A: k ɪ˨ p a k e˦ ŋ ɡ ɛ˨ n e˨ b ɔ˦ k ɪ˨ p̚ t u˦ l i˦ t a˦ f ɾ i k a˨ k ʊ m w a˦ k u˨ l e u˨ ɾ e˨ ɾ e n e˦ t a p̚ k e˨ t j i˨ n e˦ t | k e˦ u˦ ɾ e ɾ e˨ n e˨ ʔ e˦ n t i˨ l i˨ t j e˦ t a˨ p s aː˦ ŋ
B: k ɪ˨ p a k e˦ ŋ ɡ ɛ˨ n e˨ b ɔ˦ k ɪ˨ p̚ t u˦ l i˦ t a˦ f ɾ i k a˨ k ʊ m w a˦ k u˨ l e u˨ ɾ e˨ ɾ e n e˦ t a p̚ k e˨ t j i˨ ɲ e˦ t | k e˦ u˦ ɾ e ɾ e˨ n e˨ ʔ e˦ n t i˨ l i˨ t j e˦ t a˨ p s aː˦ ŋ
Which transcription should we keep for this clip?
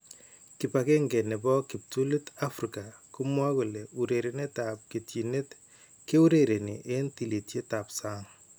A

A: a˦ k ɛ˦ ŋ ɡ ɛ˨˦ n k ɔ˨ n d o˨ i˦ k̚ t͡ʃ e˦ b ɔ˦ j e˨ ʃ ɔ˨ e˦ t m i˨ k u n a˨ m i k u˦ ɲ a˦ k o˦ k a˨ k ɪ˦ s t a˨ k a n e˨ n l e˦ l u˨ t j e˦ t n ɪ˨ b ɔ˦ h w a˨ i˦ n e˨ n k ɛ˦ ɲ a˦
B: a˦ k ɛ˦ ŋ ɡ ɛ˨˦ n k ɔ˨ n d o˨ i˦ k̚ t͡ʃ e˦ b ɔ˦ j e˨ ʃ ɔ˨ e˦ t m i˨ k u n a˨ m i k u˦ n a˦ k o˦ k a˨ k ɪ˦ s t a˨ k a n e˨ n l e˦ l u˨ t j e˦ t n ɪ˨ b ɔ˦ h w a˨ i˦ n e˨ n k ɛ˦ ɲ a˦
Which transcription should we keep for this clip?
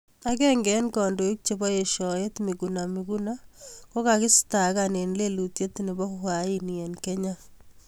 B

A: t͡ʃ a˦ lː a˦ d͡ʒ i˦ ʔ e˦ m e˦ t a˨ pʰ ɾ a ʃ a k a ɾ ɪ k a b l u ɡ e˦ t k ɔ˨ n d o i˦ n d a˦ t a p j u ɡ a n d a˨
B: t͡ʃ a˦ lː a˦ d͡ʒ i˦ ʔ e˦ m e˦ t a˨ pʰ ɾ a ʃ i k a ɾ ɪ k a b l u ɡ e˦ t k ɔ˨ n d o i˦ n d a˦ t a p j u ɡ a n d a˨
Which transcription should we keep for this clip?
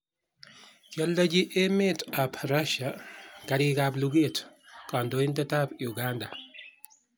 A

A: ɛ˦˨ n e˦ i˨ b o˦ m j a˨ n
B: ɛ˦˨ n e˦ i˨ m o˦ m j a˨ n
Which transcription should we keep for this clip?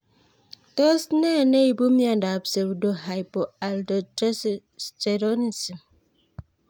A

